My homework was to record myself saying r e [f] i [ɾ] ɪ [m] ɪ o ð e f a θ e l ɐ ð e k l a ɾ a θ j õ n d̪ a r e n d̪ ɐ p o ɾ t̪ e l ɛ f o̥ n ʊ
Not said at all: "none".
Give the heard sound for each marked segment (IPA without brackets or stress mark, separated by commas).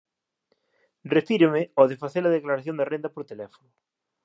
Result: f, ɾ, m